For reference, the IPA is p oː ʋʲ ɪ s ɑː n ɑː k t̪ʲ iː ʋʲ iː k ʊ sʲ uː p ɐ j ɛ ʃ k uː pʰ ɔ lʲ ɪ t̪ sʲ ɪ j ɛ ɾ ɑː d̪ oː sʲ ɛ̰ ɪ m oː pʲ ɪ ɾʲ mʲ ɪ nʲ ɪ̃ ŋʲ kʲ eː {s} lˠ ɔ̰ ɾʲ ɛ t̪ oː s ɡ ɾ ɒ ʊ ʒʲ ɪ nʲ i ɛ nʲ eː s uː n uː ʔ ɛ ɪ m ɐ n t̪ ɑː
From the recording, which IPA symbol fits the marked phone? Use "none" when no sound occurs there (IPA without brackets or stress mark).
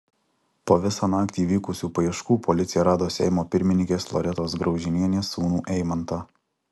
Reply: s